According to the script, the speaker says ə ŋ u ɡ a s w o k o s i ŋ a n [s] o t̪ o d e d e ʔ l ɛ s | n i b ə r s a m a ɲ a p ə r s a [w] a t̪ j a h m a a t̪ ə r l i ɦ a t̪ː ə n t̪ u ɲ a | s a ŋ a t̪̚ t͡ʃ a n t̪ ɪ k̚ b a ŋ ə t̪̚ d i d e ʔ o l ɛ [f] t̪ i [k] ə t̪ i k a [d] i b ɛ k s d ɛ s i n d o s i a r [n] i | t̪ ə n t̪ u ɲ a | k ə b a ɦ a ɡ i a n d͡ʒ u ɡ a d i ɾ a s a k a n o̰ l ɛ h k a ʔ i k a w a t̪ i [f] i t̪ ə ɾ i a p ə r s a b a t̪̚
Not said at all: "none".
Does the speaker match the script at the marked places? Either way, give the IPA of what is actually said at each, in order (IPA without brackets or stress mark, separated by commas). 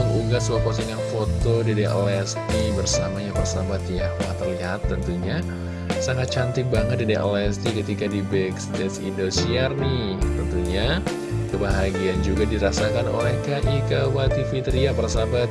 f, b, s, k, d, n, f